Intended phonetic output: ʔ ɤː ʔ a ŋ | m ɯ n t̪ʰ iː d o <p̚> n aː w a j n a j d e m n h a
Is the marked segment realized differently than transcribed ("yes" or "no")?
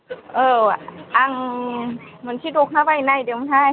yes